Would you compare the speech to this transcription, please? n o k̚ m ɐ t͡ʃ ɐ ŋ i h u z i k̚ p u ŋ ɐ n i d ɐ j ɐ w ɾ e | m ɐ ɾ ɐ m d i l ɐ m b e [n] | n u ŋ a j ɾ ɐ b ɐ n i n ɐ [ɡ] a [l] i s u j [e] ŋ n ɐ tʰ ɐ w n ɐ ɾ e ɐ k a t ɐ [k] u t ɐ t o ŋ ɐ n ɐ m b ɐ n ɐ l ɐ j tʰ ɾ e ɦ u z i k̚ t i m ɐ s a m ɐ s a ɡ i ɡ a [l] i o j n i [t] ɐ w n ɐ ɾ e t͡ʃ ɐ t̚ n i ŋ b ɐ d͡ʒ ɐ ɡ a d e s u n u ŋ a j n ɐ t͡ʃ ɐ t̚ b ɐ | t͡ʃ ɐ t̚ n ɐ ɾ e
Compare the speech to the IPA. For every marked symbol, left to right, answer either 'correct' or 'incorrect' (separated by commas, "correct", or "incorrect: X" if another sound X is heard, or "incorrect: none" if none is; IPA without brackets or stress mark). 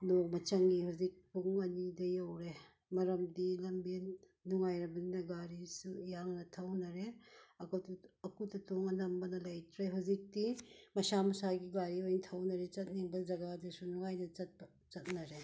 correct, correct, incorrect: ɾ, incorrect: a, correct, incorrect: ɾ, incorrect: tʰ